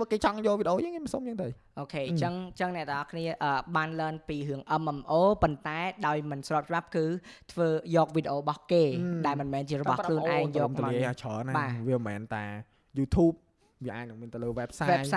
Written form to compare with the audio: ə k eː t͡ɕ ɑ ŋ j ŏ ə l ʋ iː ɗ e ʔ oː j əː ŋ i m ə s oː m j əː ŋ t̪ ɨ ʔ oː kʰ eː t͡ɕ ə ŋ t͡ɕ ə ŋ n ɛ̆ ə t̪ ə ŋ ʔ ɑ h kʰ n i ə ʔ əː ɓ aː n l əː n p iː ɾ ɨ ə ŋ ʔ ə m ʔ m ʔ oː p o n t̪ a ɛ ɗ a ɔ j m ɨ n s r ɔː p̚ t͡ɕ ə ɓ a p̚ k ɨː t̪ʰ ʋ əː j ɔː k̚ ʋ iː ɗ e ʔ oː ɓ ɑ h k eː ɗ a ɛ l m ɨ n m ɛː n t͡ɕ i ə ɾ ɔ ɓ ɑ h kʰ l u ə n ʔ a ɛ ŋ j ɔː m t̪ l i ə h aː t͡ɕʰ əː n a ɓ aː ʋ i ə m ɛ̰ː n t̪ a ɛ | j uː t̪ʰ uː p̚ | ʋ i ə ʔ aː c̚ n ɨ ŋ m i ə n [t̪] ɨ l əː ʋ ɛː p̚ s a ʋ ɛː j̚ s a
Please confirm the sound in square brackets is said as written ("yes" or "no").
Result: yes